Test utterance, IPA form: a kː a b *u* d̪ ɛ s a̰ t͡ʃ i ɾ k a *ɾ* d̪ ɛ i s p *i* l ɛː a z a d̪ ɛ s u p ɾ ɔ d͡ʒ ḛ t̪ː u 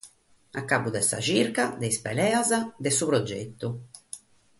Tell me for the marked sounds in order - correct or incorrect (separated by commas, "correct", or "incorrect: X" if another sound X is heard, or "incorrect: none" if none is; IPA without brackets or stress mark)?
correct, incorrect: none, incorrect: ɛ